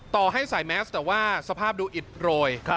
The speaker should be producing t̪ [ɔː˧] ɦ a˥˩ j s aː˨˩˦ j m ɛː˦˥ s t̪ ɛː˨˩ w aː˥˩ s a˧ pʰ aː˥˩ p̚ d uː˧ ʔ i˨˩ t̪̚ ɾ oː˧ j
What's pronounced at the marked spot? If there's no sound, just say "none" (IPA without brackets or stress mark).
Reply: ɔː˨˩